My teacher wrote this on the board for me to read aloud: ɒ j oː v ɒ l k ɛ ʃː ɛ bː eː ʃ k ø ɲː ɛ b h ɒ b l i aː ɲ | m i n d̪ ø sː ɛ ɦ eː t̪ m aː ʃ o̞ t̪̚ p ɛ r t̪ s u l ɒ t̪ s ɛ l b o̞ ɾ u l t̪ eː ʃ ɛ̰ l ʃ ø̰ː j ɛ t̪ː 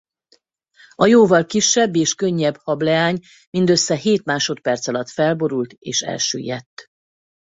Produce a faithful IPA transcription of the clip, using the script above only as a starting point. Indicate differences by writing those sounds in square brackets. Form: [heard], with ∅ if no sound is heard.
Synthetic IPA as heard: ɒ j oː v ɒ l k [i] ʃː ɛ bː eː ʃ k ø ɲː ɛ b h ɒ b l [ɛ] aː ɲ | m i n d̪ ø sː ɛ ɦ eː t̪ m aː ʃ o̞ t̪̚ p ɛ r t̪ s [ɒ] l ɒ t̪ [f] ɛ l b o̞ ɾ u l t̪ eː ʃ ɛ̰ l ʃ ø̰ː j ɛ t̪ː